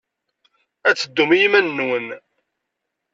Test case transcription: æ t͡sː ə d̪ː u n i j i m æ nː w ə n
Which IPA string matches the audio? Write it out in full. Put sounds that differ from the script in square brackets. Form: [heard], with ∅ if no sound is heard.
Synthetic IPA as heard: æ t͡sː ə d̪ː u [m] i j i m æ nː w ə n